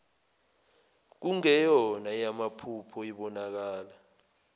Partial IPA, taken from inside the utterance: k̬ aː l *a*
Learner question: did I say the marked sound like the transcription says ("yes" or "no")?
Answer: yes